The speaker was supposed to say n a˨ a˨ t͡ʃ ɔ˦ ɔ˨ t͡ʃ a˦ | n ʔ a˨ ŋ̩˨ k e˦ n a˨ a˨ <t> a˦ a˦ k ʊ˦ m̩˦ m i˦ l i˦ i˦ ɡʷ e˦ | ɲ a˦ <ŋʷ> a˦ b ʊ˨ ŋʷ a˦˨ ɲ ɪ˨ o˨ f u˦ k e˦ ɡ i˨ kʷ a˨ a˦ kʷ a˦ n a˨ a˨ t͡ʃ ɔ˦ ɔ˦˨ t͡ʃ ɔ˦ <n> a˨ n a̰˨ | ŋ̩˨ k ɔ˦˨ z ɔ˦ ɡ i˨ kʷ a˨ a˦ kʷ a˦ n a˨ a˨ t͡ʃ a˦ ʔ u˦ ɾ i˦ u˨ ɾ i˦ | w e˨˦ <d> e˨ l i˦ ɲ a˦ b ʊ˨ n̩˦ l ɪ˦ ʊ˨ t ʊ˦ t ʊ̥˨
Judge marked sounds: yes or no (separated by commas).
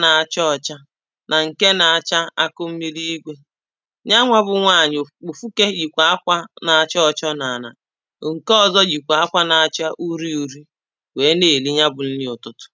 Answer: no, yes, yes, no